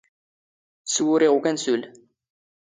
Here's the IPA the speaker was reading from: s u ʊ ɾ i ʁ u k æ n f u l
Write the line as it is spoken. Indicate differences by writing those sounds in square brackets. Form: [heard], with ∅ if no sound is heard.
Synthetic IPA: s [w] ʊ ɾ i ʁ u k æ n [s] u l